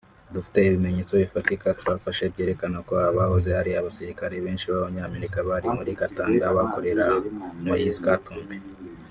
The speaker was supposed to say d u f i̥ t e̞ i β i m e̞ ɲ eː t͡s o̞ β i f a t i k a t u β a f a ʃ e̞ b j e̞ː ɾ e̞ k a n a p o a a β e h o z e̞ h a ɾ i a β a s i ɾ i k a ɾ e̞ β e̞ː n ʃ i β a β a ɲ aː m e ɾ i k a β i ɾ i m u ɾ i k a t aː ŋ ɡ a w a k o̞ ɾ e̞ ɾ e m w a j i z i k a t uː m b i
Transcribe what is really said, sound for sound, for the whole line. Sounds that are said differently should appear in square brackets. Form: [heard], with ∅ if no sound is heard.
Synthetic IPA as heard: d u f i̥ t e̞ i β i m e̞ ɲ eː t͡s o̞ β i f a t i k a t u β a f a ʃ e̞ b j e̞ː ɾ e̞ k a n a [k] o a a β [a] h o z e̞ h a ɾ i a β a s i ɾ i k a ɾ e̞ β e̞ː n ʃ i β a β a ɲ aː m e ɾ i k a β [a] ɾ i m u ɾ i k a t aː ŋ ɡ a [β] a k o̞ ɾ e̞ ɾ [a] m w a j i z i k a t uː m b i